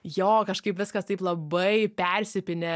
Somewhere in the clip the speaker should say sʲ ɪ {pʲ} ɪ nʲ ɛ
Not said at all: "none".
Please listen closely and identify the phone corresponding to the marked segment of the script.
pʲ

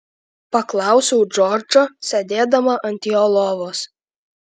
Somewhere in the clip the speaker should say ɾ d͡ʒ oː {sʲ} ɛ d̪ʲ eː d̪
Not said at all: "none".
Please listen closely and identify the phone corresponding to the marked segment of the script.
sʲ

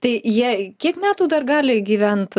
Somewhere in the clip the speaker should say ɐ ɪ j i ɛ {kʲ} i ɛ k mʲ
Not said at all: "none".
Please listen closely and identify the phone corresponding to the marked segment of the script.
kʲ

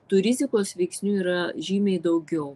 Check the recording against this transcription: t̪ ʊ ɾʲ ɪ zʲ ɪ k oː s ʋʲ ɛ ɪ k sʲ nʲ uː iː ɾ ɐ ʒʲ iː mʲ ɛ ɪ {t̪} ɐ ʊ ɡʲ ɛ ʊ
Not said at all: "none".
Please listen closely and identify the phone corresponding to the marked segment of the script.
d̪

